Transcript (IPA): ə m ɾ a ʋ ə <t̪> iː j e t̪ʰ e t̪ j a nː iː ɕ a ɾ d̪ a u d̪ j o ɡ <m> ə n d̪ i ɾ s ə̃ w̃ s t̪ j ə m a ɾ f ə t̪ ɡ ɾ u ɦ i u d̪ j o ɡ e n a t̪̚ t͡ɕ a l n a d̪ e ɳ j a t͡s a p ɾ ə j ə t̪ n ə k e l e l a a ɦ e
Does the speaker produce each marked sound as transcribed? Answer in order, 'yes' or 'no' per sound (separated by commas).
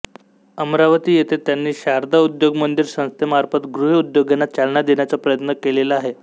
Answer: yes, yes